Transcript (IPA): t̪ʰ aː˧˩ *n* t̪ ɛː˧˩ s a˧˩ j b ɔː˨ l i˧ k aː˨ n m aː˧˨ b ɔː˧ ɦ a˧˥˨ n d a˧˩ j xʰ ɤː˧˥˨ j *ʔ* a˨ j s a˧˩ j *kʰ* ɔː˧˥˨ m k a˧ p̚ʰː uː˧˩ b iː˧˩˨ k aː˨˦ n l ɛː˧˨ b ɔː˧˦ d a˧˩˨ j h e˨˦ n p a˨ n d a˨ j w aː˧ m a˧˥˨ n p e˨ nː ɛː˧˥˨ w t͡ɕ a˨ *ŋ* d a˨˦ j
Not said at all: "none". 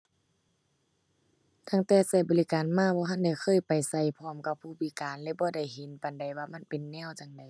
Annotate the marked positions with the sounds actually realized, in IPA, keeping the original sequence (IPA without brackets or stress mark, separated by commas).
ŋ, p, pʰ, ŋ